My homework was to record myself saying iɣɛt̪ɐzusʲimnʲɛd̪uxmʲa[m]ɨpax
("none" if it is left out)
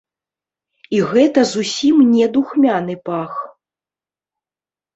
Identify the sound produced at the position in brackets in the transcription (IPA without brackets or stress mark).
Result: n